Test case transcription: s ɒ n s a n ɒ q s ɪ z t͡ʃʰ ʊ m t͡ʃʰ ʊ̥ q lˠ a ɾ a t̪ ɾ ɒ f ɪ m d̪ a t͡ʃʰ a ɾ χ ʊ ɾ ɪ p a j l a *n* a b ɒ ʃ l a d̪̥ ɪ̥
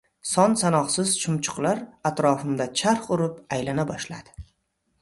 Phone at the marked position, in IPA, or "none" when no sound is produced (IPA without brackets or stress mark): n